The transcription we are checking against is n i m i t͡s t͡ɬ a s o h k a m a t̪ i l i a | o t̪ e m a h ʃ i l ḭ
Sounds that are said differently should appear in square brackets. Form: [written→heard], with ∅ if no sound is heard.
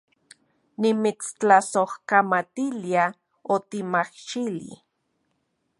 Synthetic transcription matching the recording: n i m i t͡s t͡ɬ a s o h k a m a t̪ i l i a | o t̪ [e→i] m a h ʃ i l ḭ